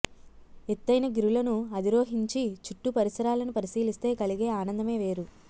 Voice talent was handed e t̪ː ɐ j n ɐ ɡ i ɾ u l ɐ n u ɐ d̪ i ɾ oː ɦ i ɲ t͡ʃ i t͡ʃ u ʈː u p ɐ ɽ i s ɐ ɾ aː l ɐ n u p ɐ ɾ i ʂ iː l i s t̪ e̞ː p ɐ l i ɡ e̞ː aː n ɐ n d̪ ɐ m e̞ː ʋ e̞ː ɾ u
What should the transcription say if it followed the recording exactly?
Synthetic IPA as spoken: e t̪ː ɐ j n ɐ ɡ i ɾ u l ɐ n u ɐ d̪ i ɾ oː ɦ i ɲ t͡ʃ i t͡ʃ u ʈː u p ɐ ɾ i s ɐ ɾ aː l ɐ n u p ɐ ɾ i s iː l i s t̪ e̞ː k ɐ l i ɡ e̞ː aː n ɐ n d̪ ɐ m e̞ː ʋ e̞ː ɾ u